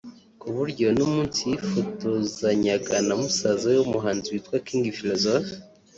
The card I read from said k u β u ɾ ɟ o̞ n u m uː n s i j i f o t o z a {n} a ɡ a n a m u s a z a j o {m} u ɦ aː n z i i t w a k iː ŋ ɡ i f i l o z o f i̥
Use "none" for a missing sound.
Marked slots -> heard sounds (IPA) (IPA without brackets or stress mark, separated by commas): ɲ, m